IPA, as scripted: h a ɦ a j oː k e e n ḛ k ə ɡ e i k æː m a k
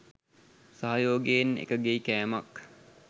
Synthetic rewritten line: s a ɦ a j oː ɡ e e n ḛ k ə ɡ e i k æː m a k

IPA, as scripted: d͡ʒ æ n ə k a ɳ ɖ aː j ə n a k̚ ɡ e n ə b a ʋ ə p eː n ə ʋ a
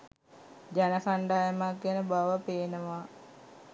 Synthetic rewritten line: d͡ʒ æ n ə k a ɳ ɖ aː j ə m a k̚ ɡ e n ə b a ʋ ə p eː n ə ʋ a

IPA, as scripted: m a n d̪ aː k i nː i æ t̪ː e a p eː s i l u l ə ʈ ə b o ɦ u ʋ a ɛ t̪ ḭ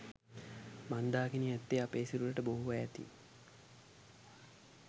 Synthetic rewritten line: m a n d̪ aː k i n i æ t̪ː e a p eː s i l u l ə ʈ ə b o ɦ u ʋ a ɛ t̪ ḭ

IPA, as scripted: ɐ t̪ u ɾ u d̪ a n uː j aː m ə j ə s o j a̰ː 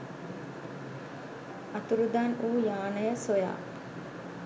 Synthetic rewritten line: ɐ t̪ u ɾ u d̪ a n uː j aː n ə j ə s o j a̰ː

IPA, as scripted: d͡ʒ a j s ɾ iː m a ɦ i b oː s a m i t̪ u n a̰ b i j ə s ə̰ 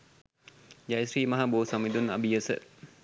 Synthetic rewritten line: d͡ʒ a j s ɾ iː m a ɦ a b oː s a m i d̪ u n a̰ b i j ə s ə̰

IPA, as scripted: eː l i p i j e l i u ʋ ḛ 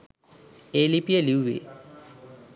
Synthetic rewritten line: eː l i p i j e l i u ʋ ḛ

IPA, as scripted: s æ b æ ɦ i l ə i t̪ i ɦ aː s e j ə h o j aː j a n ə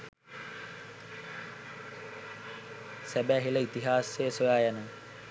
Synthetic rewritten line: s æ b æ ɦ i l ə i t̪ i ɦ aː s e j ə s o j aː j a n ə

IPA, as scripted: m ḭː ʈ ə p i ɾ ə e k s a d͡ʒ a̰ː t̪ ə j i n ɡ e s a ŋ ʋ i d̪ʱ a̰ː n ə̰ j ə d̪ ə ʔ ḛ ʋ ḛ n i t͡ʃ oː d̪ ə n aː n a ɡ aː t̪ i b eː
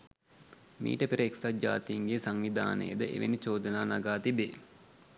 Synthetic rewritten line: m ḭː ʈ ə p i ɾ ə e k s a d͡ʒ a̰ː t̪ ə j i ŋ ɡ e s a ŋ ʋ i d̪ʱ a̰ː n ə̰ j ə d̪ ə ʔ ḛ ʋ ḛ n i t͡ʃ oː d̪ ə n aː n a ɡ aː t̪ i b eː

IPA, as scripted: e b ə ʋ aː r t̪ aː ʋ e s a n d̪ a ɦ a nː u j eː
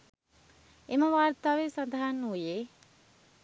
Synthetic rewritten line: e m ə ʋ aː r t̪ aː ʋ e s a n d̪ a ɦ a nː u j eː

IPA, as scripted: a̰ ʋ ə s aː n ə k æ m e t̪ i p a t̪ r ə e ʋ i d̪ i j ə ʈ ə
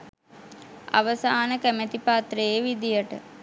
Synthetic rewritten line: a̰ ʋ ə s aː n ə k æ m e t̪ i p a t̪ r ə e ʋ i d̪ i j ə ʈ ə

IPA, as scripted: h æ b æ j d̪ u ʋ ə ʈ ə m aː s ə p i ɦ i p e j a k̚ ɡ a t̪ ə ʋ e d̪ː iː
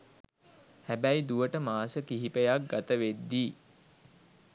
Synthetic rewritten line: h æ b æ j d̪ u ʋ ə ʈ ə m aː s ə k i ɦ i p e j a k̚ ɡ a t̪ ə ʋ e d̪ː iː

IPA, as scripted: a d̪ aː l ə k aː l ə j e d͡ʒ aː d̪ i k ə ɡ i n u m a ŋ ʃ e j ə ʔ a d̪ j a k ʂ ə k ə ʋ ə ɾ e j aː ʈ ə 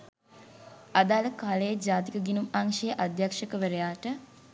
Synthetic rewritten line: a d̪ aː l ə k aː l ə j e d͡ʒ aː t̪ i k ə ɡ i n u m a ŋ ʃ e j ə ʔ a d̪ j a k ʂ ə k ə ʋ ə ɾ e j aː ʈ ə

